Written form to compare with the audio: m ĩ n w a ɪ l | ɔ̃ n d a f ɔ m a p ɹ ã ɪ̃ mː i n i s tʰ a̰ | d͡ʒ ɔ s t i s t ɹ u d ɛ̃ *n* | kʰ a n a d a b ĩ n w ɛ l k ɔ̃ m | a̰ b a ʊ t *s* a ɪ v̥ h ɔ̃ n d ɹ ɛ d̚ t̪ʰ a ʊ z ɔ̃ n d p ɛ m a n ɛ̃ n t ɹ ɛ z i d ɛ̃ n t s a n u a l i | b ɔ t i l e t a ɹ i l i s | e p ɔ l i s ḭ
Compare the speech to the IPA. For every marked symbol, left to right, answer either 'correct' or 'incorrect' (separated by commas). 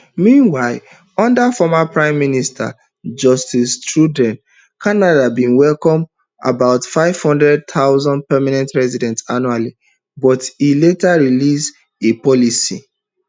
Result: correct, incorrect